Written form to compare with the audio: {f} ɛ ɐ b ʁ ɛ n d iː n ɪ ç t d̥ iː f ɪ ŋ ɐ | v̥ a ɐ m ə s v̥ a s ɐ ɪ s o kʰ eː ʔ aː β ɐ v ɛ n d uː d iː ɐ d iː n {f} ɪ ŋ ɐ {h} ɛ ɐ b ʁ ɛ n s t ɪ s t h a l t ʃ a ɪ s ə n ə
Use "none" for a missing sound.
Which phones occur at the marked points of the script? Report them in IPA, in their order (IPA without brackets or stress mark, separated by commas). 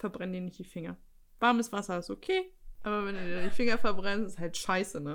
f, f, f